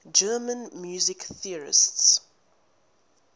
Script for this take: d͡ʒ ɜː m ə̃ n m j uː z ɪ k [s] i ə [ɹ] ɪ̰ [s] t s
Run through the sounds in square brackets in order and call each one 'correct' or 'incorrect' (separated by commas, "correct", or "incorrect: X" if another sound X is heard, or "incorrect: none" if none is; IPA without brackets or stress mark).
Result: incorrect: θ, correct, correct